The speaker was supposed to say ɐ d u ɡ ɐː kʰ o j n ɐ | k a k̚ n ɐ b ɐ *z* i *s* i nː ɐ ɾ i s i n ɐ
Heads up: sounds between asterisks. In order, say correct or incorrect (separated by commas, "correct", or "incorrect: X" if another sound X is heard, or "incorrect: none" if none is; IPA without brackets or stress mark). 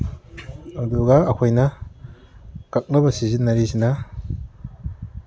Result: incorrect: s, incorrect: z